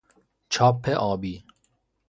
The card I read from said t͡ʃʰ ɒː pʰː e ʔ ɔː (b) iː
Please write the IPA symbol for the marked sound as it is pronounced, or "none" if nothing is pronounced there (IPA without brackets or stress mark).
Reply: b